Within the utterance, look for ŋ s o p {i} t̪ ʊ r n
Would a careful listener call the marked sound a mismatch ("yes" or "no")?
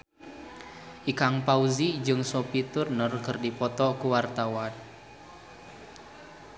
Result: no